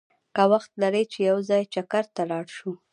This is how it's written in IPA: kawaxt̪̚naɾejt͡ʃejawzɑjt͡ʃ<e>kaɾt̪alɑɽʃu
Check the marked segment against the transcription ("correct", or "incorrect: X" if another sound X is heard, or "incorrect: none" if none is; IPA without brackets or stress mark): incorrect: a